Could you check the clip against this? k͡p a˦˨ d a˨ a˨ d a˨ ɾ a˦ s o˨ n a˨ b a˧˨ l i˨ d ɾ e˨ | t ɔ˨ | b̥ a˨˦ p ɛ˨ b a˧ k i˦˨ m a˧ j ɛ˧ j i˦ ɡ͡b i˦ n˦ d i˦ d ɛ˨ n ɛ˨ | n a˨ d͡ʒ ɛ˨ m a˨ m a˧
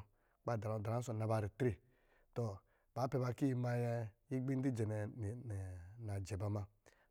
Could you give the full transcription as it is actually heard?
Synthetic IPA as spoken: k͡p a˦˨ d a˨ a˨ d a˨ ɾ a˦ s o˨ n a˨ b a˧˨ ɾ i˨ t ɾ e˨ | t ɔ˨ | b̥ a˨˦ p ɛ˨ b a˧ k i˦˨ m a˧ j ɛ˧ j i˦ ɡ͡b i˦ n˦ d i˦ d͡ʒ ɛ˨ n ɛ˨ | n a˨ d͡ʒ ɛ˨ b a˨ m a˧